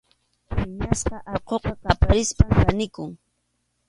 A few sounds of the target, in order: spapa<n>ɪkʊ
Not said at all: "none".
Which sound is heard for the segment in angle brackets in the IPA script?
n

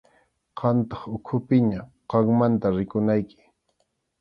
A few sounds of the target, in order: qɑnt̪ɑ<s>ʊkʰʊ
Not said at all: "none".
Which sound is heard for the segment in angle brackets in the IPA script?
χ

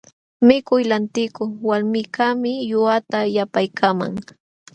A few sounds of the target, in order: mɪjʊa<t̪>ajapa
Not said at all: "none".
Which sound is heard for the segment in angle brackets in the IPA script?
t̪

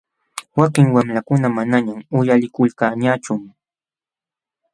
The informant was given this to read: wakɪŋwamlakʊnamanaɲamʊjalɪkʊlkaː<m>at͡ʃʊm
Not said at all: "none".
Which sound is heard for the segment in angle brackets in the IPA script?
ɲ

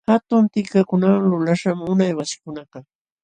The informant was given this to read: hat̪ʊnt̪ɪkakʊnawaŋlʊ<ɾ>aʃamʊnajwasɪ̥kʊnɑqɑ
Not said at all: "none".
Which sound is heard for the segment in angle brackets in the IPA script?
l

